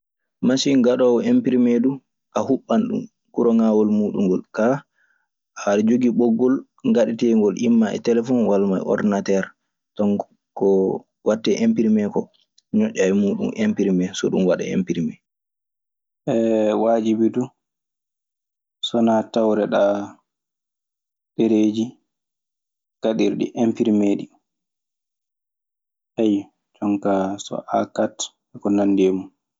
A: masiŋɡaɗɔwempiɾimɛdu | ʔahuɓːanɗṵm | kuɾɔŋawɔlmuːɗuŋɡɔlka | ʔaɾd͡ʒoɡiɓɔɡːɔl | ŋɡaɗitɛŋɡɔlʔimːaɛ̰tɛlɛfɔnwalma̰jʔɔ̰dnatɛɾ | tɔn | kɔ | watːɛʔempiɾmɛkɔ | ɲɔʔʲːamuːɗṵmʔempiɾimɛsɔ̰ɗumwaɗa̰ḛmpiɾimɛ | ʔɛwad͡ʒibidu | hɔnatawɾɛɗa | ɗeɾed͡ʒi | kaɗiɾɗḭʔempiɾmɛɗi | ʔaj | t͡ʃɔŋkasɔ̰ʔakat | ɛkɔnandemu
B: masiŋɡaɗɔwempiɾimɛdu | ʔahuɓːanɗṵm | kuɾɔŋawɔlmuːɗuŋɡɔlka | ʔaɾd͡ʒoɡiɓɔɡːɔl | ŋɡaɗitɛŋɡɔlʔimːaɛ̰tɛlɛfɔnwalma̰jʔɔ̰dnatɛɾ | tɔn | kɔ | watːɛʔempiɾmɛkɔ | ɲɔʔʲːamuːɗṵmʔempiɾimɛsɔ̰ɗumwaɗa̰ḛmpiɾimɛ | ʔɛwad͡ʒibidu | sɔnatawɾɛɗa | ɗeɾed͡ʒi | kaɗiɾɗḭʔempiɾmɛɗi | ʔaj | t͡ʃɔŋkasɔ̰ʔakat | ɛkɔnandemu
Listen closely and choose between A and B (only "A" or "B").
B